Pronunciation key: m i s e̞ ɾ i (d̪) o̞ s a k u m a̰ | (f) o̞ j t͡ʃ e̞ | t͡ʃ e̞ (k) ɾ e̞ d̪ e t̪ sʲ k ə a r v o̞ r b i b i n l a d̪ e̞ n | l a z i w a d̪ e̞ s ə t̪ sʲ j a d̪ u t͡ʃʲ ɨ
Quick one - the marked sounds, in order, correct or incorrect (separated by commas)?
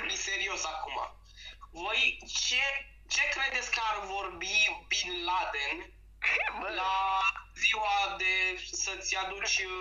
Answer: incorrect, incorrect, correct